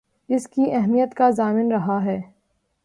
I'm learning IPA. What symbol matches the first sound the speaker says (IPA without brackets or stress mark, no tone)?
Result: ɪ